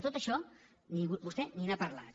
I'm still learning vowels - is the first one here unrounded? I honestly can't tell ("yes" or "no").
no